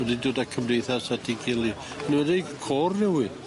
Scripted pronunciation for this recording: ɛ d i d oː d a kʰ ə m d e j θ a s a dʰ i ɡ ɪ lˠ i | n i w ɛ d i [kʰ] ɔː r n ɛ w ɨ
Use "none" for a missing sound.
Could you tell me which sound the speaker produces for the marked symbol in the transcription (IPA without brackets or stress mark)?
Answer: kʰ